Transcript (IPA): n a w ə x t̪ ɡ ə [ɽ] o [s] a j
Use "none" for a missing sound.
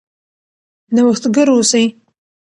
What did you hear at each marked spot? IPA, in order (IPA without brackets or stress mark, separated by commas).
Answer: ɾ, s